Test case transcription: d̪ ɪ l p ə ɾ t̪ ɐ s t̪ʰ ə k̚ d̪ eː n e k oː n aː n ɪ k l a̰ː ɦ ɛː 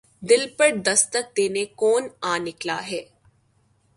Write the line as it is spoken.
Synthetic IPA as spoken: d̪ ɪ l p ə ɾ d̪ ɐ s t̪ ə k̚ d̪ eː n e k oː n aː n ɪ k l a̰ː ɦ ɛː